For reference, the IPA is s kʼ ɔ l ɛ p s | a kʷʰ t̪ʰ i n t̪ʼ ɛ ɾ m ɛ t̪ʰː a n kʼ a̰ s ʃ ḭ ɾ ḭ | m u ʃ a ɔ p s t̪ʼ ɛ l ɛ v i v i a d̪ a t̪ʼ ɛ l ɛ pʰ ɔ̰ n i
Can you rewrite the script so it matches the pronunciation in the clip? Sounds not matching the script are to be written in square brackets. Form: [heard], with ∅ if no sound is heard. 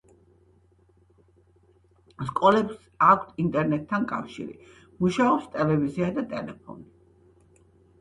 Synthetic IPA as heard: s kʼ ɔ l ɛ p s | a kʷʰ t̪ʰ i n t̪ʼ ɛ ɾ [n] ɛ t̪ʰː a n kʼ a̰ [f] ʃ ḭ ɾ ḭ | m u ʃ a ɔ p s t̪ʼ ɛ l ɛ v i [z] i a d̪ a t̪ʼ ɛ l ɛ pʰ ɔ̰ n i